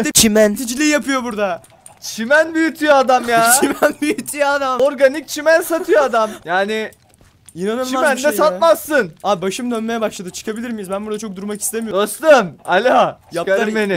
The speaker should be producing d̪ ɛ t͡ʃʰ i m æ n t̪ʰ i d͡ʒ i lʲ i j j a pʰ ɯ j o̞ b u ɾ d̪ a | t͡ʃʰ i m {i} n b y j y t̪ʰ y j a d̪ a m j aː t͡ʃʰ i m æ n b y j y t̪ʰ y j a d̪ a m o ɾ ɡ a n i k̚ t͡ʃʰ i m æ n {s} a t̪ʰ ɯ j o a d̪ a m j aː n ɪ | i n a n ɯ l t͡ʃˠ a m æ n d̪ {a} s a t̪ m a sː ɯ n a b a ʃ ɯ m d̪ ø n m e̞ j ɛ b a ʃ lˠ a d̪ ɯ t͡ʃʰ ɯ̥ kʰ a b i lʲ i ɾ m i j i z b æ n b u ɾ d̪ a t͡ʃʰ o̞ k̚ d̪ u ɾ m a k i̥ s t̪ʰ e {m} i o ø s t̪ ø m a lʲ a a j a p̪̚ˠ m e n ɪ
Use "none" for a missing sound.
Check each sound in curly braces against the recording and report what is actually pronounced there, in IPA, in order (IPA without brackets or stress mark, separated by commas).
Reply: æ, s, ɛ, m